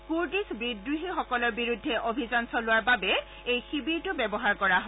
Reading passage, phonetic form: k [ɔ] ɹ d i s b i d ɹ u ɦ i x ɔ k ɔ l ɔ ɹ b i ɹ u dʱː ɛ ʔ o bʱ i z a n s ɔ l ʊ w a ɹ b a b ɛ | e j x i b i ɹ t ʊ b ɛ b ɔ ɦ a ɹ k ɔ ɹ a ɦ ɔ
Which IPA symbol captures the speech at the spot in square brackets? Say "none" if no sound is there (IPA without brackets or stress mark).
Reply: u